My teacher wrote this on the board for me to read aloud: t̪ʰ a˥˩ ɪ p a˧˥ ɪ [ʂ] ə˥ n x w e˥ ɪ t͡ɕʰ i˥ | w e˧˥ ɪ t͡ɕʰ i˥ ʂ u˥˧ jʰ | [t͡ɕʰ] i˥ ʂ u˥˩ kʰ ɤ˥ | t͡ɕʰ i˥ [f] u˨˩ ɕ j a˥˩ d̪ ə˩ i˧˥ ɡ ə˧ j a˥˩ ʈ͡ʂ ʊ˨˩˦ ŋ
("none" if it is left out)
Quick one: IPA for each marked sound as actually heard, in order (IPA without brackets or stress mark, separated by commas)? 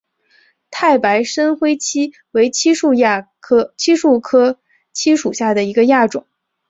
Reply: ʂ, t͡ɕʰ, ʂ